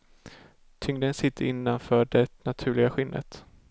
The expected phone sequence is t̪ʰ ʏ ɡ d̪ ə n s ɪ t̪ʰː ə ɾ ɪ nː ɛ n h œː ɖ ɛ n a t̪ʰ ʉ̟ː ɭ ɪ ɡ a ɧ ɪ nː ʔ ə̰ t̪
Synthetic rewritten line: t̪ʰ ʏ ŋ d̪ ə n s ɪ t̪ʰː ə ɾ ɪ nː a n f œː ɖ ɛ n a t̪ʰ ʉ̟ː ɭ ɪ ɡ a ɧ ɪ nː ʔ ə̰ t̪

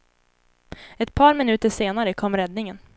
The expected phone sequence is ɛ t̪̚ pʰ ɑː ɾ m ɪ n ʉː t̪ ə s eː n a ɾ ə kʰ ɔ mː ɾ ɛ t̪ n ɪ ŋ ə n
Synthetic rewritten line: ɛ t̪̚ pʰ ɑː ɾ m ɪ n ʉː t̪ ə ʂ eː n a ɾ ə kʰ ɔ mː ɾ ɛ d̪ n ɪ ŋ ə n

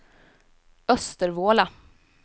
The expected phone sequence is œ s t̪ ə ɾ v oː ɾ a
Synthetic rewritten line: œ s t̪ ə ɾ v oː l a

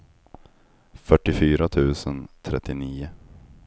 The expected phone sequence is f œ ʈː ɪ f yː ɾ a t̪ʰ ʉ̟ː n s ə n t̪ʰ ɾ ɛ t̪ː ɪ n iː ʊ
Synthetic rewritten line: f œ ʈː ɪ f yː ɾ a t̪ʰ ʉ̟ː s ə n t̪ʰ ɾ ɛ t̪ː ɪ n iː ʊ

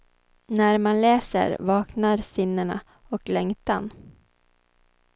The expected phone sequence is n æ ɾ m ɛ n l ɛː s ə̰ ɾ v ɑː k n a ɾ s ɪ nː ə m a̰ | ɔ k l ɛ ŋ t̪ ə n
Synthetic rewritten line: n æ ɾ m a n l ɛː s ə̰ ɾ v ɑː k n a ɾ s ɪ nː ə ɳ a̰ | ɔ k l ɛ ŋ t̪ a n

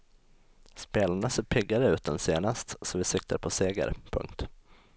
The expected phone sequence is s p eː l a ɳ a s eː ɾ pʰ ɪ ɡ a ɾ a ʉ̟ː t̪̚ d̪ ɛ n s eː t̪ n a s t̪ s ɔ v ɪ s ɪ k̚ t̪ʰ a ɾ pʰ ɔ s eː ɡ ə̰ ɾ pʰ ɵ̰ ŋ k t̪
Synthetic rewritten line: s p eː l a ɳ a s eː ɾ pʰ ɪ ɡ a ɾ ə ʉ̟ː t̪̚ d̪ ɛ n s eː n a s t̪ s ɔ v ɪ s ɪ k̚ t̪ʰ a ɾ pʰ ɔ s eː ɡ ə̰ ɾ pʰ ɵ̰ ŋ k t̪

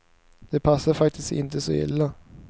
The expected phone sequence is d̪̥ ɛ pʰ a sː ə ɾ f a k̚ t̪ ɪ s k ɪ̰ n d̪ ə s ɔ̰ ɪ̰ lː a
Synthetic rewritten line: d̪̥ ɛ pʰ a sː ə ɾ f a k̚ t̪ ɪ s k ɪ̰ n t̪ ə s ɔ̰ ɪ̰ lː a

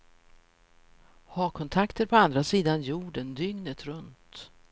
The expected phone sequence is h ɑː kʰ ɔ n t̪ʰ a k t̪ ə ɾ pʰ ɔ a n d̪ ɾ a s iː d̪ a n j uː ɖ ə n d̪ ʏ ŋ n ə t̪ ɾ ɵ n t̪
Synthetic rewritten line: h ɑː kʰ ɔ n t̪ʰ a k t̪ ə ɾ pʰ ɔ a n d̪ ɾ a s iː d̪ a n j uː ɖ ə n d̪ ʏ ŋ n ə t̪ ɾ ɵ n t̪

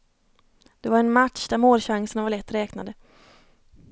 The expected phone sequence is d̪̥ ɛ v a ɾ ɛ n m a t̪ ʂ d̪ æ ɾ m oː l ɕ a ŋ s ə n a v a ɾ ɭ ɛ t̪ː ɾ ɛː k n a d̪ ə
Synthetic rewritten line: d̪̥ ɛ v a ɾ ɛ n m a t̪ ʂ d̪ æ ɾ m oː l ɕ a ŋ s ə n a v a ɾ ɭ ɛ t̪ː ɾ ɛː k n a d̪ ə

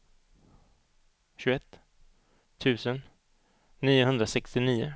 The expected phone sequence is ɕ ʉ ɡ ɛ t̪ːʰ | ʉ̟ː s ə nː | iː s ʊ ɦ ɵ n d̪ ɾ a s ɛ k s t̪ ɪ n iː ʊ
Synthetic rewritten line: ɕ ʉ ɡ ɛ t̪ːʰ | ʉ̟ː s ə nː | iː ʊ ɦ ɵ n d̪ ɾ a s ɛ k s t̪ ɪ n iː ʊ

